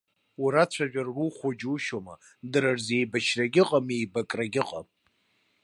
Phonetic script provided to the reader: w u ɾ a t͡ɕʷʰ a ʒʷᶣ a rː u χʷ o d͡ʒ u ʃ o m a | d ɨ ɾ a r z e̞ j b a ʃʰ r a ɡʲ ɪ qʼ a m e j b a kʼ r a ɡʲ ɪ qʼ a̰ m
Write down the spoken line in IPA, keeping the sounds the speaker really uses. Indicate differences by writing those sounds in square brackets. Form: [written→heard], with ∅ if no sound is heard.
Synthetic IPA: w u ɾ a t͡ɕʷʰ a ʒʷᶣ a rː u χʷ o d͡ʒ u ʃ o m a | d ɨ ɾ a r z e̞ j b a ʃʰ r a ɡʲ ɪ qʼ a m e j b a kʼ r a ɡʲ ɪ qʼ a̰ m